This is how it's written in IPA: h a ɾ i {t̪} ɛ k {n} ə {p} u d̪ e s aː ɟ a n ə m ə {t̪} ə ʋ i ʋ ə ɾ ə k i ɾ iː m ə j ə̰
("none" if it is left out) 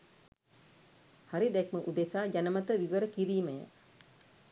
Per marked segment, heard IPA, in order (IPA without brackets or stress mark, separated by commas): d̪, m, ʔ, t̪